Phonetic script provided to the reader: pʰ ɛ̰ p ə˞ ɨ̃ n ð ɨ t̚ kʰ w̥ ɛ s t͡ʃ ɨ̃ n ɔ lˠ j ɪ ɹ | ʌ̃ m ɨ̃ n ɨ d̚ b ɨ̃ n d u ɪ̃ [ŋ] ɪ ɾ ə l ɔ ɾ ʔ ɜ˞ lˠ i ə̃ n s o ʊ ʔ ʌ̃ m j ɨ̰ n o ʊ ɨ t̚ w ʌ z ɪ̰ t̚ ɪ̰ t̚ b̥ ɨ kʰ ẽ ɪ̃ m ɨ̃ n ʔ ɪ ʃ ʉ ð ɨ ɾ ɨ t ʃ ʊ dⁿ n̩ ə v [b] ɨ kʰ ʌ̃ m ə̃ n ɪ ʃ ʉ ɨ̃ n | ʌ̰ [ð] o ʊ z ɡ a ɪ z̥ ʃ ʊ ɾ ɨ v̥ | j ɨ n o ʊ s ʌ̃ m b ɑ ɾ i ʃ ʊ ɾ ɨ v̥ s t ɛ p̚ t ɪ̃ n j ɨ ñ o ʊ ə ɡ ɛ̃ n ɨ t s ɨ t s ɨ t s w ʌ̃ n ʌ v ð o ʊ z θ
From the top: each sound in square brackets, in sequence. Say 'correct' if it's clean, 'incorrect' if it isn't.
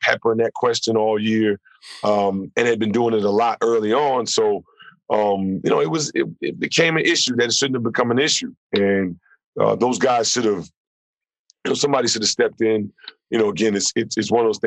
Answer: correct, correct, correct

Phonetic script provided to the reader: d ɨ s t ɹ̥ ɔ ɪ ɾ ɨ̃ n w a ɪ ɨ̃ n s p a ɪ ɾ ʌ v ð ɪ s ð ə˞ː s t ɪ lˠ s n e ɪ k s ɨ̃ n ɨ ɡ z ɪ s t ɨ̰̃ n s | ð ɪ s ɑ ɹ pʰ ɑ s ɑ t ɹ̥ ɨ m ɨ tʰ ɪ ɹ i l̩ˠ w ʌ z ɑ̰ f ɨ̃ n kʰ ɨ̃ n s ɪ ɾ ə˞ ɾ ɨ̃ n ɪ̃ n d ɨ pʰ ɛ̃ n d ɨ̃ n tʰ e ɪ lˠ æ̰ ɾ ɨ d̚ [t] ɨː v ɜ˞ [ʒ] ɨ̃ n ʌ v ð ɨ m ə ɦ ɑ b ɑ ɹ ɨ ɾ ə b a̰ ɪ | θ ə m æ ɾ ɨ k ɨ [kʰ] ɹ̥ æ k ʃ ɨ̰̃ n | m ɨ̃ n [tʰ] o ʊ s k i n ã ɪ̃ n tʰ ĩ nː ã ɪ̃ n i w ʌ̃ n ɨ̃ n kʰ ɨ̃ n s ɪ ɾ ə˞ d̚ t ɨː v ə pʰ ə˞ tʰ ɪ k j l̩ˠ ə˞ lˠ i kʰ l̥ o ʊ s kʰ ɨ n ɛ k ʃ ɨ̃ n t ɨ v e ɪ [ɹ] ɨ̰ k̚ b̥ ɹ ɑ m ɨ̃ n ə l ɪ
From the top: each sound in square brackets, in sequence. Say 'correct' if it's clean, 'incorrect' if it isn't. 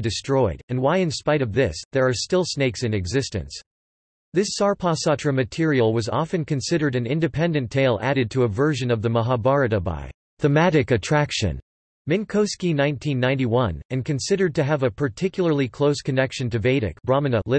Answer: incorrect: tʰ, correct, incorrect: tʰ, incorrect: kʰ, incorrect: ɾ

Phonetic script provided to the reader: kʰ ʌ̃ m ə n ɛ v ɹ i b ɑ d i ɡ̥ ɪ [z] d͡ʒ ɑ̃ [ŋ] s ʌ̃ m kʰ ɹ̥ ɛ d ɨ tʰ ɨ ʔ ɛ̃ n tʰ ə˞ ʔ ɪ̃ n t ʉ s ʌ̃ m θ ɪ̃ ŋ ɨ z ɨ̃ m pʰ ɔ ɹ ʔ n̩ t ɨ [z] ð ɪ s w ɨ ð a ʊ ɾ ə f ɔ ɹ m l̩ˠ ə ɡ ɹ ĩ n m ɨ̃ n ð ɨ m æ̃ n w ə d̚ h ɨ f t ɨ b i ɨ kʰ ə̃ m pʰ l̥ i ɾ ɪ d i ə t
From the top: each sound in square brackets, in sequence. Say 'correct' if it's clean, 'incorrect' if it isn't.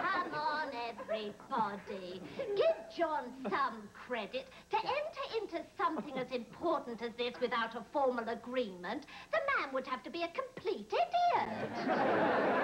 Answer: incorrect: v, incorrect: n, correct

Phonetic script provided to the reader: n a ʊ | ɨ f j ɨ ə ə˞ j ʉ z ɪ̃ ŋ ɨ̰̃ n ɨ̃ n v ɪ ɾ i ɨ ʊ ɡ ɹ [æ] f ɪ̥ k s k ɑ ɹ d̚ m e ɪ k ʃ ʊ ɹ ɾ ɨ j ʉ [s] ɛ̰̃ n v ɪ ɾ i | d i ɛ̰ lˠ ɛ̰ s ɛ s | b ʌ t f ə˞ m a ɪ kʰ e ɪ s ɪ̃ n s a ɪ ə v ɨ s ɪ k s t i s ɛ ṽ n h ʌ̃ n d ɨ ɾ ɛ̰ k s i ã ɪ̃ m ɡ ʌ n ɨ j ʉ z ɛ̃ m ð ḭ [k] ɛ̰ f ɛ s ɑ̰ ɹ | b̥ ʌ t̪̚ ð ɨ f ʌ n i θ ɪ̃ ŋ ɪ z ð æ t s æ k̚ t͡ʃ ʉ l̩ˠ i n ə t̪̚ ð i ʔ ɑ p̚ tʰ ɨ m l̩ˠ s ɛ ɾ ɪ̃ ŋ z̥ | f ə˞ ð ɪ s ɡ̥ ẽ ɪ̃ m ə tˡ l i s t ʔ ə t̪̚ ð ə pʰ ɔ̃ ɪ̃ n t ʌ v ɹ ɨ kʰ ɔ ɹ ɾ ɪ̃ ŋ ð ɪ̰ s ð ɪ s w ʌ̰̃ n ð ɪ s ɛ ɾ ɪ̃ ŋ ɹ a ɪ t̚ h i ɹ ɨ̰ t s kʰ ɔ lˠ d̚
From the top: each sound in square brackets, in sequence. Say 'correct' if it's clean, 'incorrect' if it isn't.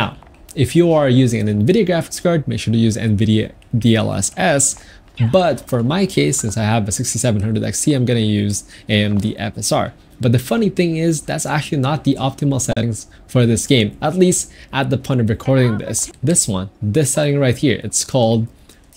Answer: correct, incorrect: z, incorrect: ʔ

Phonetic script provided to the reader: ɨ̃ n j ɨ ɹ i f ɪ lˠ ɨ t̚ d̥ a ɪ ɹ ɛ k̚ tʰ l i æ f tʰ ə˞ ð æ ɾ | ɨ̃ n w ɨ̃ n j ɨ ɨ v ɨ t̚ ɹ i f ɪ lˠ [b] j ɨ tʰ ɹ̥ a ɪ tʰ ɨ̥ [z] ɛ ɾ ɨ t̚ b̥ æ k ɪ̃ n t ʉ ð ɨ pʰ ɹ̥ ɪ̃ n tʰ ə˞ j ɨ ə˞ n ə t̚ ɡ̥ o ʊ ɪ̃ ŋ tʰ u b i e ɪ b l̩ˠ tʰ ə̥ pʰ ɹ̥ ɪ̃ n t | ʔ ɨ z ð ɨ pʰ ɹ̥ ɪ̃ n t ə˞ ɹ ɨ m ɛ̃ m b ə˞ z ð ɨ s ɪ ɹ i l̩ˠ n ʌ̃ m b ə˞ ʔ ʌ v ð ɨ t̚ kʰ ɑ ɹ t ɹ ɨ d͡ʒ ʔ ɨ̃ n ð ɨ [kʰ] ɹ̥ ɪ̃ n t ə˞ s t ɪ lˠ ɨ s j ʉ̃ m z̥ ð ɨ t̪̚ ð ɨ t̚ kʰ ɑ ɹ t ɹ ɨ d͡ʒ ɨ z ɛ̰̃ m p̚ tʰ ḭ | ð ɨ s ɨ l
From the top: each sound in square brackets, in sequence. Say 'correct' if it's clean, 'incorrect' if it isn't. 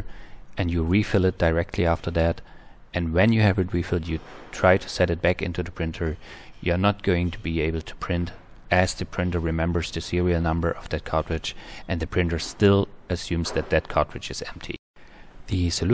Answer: incorrect: d, incorrect: s, incorrect: pʰ

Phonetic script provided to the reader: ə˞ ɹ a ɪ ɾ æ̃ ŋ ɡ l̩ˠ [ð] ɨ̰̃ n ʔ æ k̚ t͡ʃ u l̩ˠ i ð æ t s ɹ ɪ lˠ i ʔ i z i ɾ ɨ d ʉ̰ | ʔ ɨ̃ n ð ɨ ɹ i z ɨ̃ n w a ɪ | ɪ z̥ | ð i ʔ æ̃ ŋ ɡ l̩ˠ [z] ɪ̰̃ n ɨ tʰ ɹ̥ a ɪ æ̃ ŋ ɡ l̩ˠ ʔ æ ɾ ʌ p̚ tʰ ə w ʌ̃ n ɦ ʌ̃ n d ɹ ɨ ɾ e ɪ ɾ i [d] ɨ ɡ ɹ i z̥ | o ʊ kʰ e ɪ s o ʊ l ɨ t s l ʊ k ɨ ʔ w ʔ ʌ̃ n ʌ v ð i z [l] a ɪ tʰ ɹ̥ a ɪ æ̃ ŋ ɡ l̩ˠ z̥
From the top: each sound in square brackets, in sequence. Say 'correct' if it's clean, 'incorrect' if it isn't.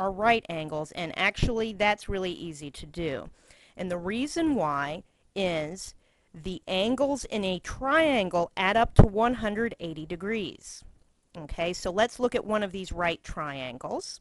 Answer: incorrect: z, correct, correct, incorrect: ɹ

